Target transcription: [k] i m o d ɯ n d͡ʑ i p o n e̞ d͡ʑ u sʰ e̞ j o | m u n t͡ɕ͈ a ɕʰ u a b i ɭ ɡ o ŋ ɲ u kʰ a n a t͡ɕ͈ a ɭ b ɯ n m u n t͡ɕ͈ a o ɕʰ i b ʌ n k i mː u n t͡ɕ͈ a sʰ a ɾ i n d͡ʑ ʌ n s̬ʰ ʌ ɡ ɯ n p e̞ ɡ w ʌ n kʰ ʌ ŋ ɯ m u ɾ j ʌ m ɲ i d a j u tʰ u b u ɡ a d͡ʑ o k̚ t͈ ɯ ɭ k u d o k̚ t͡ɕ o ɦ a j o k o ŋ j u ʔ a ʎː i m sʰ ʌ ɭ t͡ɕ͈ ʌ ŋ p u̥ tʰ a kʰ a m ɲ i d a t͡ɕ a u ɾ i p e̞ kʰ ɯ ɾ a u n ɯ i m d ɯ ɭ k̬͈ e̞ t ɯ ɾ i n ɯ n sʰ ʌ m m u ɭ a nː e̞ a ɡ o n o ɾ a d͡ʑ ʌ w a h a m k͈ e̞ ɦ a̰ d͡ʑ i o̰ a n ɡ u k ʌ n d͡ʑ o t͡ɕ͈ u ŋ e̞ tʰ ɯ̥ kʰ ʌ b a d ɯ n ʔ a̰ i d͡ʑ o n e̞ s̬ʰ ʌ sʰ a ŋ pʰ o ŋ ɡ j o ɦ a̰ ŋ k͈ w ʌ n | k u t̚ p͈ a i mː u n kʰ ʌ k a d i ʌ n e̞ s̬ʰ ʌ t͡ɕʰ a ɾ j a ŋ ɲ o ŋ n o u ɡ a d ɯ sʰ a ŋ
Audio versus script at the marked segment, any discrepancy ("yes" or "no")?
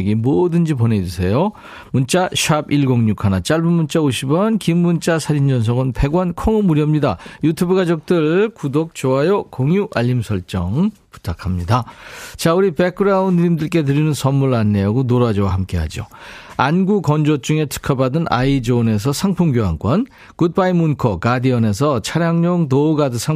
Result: yes